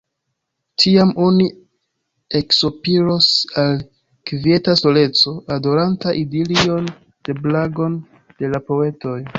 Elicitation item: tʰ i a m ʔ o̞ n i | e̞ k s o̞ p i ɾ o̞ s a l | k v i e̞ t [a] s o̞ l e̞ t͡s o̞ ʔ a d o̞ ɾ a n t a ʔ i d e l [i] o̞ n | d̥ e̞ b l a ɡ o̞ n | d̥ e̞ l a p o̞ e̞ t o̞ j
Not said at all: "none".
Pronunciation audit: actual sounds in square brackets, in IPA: a, i

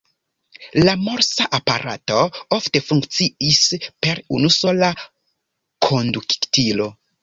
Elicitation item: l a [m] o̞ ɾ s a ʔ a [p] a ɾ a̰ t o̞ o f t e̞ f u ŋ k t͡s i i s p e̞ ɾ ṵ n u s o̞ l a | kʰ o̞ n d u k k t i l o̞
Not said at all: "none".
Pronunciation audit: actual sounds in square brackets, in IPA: m, p

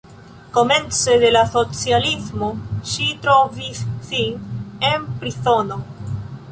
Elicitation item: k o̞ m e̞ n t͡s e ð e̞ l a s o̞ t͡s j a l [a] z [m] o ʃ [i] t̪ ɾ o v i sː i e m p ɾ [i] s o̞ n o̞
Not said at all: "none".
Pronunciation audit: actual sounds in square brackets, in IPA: i, m, i, i

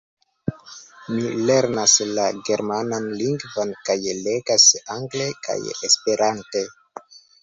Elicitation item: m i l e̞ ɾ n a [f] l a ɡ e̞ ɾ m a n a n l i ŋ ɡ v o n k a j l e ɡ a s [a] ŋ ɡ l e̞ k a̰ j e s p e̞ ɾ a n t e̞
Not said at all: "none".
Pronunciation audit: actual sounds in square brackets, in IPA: s, a

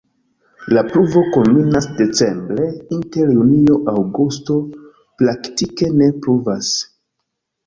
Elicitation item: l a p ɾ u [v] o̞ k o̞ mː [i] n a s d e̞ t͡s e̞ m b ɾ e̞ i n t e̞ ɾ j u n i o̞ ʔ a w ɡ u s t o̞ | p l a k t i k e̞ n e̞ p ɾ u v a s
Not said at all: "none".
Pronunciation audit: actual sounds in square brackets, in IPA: v, i

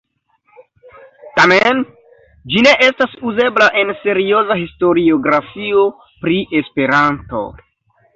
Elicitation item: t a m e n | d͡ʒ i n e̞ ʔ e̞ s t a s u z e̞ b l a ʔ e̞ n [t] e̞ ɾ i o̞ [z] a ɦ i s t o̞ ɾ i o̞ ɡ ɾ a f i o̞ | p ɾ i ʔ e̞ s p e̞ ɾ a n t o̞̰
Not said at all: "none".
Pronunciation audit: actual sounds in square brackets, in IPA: s, z

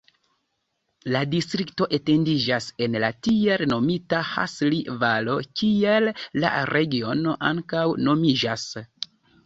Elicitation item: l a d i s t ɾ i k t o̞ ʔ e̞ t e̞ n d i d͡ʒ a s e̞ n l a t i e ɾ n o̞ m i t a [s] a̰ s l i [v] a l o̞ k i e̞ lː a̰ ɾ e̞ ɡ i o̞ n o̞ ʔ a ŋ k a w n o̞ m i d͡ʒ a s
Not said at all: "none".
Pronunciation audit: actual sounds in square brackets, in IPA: h, v

